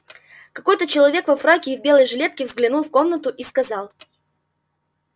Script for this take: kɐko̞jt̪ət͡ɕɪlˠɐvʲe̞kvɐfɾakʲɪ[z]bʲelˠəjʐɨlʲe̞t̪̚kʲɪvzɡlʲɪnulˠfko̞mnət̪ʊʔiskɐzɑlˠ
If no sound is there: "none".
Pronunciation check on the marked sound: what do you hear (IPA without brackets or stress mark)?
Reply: v